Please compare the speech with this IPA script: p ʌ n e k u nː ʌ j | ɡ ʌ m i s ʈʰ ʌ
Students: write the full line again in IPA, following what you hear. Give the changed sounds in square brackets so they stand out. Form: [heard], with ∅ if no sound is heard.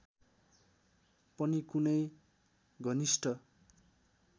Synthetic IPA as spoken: p ʌ n [i] k u [n] ʌ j | ɡ ʌ [n] i s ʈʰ ʌ